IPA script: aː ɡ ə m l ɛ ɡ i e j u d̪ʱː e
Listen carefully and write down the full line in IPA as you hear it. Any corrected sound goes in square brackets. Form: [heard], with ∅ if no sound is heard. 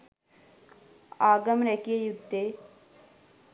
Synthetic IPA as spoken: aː ɡ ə m [ɾ] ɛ [k] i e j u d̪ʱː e

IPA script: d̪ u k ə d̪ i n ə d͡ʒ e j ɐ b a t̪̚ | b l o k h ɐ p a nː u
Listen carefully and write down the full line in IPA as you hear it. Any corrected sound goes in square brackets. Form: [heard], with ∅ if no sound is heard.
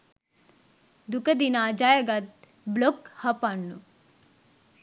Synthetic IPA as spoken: d̪ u k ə d̪ i n [a] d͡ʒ [a] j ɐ [ɡ] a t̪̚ | b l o k h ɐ p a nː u

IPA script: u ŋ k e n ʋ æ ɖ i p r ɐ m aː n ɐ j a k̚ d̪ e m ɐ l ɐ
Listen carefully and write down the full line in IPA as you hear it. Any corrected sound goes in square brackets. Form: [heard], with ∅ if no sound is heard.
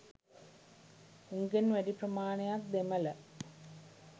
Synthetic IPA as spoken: u ŋ [ɡ] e n ʋ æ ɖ i p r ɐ m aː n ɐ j a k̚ d̪ e m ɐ l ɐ

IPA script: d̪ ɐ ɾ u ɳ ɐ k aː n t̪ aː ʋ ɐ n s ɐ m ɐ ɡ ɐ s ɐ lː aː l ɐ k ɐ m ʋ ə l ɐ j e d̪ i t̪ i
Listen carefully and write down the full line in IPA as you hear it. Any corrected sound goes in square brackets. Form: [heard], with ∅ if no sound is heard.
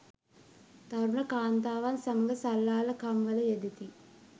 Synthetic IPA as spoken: [t̪] ɐ ɾ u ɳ ɐ k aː n t̪ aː ʋ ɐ n s ɐ m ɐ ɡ ɐ s ɐ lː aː l ɐ k ɐ m ʋ [ɐ] l ɐ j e d̪ i t̪ i

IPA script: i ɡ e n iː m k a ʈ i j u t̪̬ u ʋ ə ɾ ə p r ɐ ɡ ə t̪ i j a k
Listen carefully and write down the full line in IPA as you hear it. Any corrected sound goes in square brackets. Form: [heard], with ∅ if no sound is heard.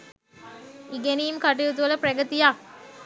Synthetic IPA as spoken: i ɡ e n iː m k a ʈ i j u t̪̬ u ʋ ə [l] ə p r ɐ ɡ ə t̪ i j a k

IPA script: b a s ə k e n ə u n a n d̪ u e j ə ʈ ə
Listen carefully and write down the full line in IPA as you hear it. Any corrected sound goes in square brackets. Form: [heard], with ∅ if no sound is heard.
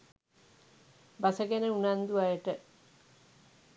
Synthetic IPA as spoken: b a s ə [ɡ] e n ə u n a n d̪ u [a] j ə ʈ ə

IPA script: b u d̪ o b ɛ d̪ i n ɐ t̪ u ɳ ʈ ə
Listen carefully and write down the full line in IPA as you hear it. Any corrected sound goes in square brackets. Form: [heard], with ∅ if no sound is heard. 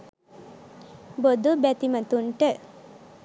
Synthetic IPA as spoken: b [o] d̪ [u] b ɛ [t̪] i [m] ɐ t̪ u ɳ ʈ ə

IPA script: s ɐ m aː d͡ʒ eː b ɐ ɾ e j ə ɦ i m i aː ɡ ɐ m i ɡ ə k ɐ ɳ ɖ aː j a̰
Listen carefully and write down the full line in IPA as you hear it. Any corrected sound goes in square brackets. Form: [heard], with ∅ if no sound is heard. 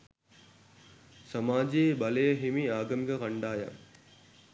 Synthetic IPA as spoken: s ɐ m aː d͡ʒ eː b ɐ [l] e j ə ɦ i m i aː ɡ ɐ m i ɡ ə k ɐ ɳ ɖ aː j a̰

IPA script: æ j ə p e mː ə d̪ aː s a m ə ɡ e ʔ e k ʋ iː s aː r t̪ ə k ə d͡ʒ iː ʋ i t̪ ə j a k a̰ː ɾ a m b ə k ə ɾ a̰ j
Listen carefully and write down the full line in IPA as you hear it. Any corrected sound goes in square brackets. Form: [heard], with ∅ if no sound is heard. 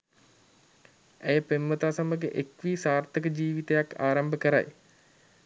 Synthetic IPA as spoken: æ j ə p e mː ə [t̪] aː s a m ə ɡ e ʔ e k ʋ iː s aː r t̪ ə k ə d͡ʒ iː ʋ i t̪ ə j a k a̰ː ɾ a m b ə k ə ɾ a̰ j

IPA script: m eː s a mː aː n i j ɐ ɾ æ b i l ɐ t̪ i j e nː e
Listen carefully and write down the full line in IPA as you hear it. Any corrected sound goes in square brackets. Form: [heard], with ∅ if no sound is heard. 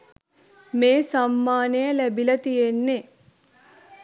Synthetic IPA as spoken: m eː s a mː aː n [e] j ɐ [l] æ b i l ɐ t̪ i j e nː e

